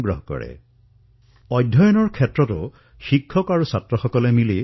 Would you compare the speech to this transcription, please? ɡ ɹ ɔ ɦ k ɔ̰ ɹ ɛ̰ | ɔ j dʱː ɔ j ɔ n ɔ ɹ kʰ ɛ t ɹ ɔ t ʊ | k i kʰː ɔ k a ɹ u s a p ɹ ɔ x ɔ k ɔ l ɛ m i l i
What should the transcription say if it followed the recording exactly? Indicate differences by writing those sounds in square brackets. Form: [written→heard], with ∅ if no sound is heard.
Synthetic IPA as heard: ɡ ɹ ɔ ɦ k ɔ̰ ɹ ɛ̰ | ɔ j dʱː ɔ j ɔ n ɔ ɹ kʰ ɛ t ɹ ɔ t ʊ | [k→x] i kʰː ɔ k a ɹ u s a [p→t] ɹ ɔ x ɔ k ɔ l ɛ m i l i